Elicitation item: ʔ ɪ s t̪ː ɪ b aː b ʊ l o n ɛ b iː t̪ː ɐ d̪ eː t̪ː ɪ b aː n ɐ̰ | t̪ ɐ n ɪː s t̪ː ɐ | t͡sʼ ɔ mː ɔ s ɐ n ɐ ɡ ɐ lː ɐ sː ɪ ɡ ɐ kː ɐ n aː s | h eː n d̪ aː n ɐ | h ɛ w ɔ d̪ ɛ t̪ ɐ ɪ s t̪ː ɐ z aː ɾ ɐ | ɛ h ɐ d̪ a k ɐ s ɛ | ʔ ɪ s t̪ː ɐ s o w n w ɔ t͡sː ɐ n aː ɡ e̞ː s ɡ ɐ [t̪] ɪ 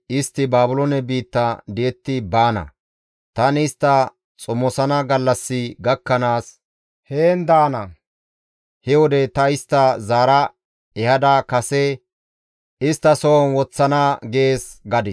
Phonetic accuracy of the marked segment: incorrect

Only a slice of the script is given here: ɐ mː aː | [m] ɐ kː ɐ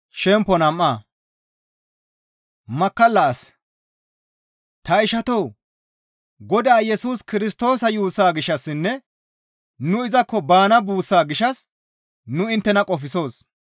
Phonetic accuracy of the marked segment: correct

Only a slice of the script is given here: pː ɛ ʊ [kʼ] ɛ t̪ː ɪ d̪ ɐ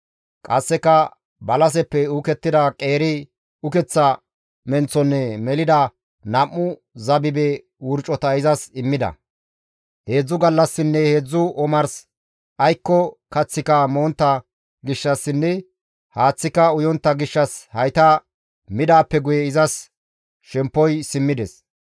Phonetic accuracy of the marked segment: incorrect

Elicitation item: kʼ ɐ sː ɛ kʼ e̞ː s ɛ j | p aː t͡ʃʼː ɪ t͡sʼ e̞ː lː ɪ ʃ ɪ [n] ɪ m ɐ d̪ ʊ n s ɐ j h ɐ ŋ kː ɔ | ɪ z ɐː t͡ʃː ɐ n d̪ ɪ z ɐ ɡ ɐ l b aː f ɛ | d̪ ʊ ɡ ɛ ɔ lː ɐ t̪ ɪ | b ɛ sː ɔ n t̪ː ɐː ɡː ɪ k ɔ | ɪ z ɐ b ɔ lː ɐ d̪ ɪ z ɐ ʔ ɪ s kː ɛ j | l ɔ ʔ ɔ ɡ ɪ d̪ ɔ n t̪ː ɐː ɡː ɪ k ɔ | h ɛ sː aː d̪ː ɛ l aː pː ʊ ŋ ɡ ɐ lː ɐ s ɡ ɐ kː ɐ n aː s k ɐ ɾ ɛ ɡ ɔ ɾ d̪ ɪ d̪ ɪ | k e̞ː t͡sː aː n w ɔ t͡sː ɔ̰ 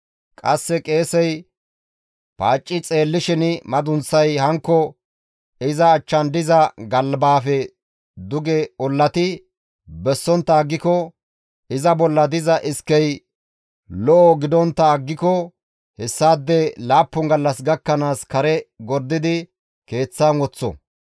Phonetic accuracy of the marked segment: correct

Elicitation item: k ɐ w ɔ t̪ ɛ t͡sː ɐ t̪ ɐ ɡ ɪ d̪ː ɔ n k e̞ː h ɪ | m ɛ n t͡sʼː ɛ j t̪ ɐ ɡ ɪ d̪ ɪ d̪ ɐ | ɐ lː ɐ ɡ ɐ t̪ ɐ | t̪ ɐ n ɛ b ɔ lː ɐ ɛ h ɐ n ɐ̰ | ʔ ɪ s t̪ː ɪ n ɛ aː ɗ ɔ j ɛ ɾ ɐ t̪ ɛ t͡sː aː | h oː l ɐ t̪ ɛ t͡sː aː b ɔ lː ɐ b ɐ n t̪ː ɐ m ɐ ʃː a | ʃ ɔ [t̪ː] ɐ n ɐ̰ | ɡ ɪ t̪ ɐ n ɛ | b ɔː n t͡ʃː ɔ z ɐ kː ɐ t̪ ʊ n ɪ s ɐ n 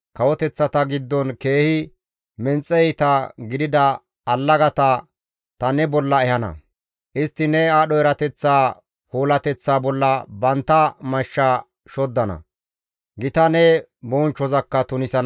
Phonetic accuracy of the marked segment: incorrect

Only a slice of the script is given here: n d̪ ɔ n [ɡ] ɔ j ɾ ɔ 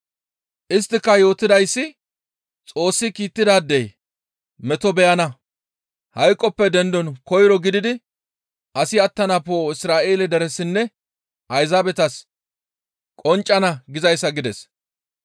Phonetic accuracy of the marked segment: incorrect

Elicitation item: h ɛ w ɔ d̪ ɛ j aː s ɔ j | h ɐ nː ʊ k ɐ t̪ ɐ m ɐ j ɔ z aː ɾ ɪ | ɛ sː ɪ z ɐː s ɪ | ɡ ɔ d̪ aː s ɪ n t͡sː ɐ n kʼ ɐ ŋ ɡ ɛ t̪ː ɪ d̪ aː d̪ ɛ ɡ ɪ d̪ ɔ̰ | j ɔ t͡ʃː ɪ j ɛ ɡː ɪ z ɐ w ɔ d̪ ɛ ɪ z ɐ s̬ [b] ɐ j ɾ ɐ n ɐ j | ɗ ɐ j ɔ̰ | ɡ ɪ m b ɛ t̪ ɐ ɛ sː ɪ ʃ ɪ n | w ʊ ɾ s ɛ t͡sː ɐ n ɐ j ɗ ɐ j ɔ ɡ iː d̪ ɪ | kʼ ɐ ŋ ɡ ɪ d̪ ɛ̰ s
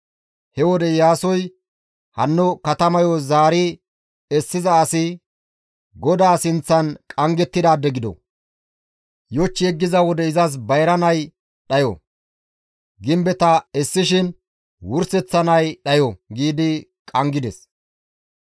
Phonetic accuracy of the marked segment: correct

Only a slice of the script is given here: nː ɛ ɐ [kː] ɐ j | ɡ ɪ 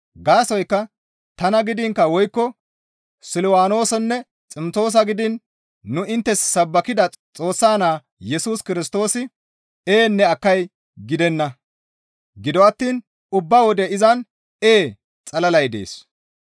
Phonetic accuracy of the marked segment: correct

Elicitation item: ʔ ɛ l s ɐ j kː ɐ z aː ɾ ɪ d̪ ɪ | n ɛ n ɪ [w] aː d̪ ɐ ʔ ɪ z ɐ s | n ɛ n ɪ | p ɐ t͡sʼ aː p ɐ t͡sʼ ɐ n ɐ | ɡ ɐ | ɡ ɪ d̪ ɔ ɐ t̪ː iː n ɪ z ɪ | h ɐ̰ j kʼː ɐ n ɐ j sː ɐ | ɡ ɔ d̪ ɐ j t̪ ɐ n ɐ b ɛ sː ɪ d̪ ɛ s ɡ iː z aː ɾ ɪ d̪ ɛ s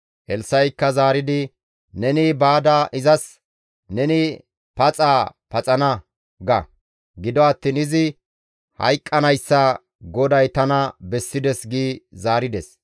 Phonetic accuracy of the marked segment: incorrect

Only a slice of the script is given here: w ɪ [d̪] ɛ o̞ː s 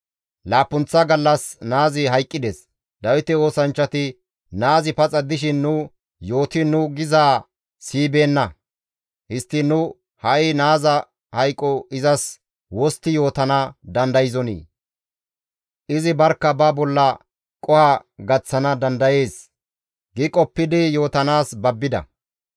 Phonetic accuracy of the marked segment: incorrect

